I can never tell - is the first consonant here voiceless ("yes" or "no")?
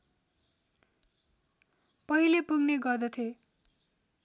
yes